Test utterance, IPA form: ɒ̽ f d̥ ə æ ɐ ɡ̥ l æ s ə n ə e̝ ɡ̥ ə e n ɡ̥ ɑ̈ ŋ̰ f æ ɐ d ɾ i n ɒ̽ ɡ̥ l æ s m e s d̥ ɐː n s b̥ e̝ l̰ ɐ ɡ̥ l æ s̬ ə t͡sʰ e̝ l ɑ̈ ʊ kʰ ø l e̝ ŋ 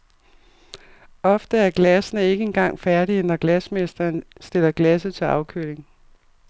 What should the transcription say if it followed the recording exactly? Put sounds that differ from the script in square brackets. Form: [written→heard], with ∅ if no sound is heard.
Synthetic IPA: ɒ̽ f d̥ ə æ ɐ ɡ̥ l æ s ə n ə e̝ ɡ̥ ə e n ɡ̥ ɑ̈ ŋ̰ f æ ɐ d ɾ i n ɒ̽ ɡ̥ l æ s m e s d̥ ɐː n s [b̥→d̥] e̝ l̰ ɐ ɡ̥ l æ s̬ ə t͡sʰ e̝ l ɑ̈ ʊ kʰ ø l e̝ ŋ